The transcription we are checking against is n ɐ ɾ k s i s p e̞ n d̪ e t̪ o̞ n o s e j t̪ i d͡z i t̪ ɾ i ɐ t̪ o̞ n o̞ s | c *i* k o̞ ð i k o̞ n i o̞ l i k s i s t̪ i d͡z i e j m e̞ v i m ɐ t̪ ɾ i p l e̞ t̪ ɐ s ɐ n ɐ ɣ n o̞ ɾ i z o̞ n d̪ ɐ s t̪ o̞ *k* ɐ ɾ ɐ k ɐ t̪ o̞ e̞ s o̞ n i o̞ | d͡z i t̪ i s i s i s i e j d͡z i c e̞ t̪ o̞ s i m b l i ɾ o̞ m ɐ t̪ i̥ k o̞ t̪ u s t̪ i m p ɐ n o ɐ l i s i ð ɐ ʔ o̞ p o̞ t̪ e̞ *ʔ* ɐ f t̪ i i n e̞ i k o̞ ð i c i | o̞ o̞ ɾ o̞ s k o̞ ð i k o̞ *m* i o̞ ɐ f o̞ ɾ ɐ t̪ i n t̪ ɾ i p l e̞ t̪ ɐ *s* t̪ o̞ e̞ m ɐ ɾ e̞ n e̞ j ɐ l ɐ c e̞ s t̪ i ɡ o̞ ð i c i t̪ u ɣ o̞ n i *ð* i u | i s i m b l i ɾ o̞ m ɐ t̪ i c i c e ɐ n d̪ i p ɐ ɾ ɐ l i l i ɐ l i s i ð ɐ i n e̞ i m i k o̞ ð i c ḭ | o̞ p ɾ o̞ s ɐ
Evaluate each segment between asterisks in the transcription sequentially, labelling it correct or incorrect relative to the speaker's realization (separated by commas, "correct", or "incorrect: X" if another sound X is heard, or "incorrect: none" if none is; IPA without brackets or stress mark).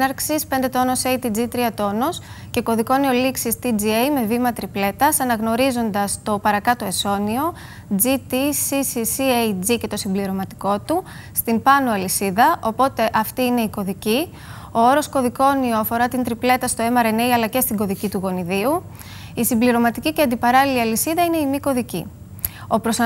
incorrect: e, incorrect: p, correct, incorrect: n, correct, correct